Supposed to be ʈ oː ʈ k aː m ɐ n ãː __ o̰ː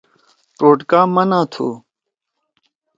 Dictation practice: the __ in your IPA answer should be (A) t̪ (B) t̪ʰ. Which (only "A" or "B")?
B